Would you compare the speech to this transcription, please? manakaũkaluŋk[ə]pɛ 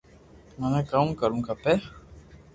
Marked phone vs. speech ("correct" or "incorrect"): incorrect